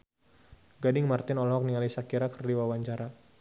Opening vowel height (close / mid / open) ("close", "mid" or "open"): open